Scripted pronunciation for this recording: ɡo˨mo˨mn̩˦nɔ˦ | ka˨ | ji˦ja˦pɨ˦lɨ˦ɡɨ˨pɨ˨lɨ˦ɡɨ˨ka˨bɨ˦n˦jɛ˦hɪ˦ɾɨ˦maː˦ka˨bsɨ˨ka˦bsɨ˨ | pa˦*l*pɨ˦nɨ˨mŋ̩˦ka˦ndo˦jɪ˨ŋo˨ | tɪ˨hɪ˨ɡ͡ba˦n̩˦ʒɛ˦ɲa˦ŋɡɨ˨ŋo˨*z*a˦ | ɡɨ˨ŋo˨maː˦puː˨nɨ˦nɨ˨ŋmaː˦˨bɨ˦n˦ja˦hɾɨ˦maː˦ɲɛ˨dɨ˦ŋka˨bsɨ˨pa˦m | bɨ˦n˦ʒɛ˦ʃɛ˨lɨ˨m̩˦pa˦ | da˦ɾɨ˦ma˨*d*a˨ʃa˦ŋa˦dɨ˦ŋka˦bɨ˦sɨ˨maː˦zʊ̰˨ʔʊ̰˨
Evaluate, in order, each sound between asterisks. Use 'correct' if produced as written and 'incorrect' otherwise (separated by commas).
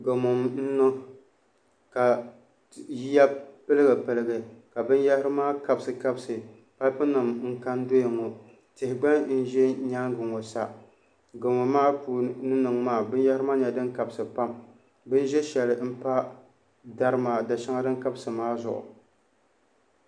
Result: correct, incorrect, correct